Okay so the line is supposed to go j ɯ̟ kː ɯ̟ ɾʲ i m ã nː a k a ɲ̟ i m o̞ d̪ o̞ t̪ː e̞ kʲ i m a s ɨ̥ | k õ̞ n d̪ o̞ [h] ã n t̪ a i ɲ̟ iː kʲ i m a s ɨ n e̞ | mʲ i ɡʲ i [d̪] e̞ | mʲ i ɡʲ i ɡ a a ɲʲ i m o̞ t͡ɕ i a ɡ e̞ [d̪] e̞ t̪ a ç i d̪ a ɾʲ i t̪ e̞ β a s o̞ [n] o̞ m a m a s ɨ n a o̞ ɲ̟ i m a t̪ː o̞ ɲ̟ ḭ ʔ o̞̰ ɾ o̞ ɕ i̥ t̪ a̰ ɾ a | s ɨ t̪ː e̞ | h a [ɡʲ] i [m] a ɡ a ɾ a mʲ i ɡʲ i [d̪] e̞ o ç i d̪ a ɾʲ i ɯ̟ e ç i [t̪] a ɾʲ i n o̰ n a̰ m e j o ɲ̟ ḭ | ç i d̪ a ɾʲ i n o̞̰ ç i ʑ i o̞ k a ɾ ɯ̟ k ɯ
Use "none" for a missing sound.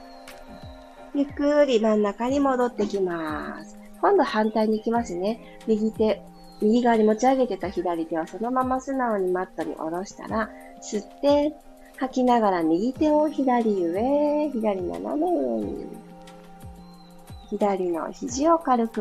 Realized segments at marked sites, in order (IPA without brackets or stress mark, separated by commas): h, t̪, t̪, n, kʲ, n, t̪, d̪